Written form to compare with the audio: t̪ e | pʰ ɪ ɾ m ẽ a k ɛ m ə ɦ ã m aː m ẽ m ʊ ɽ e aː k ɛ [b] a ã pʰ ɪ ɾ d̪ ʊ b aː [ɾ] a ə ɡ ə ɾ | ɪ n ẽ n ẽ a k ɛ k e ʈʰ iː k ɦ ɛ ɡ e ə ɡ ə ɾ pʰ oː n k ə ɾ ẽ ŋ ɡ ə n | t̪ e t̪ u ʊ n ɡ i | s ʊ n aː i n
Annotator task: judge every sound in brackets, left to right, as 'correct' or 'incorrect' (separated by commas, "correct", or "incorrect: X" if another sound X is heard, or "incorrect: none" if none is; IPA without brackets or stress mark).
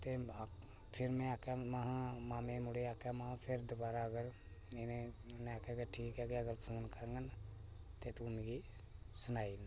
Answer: incorrect: m, correct